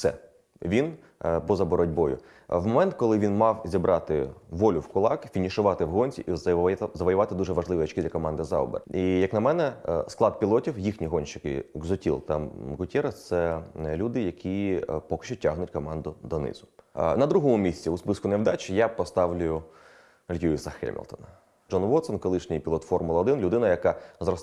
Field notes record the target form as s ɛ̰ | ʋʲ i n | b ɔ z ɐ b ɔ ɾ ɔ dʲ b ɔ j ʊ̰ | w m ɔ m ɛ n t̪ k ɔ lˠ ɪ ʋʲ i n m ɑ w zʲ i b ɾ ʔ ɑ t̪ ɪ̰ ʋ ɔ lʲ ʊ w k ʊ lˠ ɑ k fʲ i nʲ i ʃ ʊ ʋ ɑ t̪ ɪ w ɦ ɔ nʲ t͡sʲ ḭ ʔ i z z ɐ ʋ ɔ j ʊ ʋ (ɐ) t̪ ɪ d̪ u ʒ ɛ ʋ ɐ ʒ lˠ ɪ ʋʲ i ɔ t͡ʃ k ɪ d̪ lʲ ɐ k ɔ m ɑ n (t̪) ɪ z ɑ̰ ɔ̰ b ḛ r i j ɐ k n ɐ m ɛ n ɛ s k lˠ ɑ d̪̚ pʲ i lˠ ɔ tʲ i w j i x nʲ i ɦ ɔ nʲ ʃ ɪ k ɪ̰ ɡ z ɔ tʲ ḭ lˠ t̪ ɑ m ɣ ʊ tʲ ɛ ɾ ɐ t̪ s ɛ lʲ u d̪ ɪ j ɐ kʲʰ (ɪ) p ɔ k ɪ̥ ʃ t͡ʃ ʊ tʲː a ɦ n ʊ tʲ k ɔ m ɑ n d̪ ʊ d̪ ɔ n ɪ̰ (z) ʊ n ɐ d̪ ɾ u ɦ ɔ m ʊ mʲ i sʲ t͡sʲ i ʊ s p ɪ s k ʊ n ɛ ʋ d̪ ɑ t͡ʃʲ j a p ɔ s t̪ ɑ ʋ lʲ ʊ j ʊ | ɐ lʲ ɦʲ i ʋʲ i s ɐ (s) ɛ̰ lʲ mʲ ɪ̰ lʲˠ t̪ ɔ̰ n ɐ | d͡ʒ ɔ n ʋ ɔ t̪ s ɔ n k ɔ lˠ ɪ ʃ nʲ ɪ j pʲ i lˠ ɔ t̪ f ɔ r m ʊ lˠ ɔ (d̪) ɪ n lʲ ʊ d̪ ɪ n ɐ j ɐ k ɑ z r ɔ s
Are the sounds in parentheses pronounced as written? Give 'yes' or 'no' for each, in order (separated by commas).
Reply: no, no, no, yes, no, yes